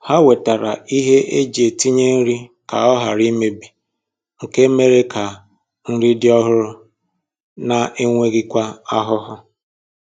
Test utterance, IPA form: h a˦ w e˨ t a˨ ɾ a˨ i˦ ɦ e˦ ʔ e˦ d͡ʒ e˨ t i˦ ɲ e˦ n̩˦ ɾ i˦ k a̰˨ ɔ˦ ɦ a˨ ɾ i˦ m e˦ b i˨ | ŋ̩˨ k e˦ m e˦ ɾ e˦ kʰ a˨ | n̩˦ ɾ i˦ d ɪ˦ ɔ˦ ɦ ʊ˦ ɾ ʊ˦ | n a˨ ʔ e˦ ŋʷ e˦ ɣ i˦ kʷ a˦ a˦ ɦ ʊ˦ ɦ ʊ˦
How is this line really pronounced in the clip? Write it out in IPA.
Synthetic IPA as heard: h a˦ w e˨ t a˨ ɾ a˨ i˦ ɦ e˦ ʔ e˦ d͡ʒ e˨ t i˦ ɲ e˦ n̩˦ ɾ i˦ k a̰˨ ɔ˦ ɦ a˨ ɾ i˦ m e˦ b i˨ | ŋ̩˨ k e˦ m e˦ ɾ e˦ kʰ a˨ | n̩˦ ɾ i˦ d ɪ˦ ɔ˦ ɦ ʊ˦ ɾ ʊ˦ | n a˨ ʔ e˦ ŋʷ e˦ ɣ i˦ kʷ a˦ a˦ ɦ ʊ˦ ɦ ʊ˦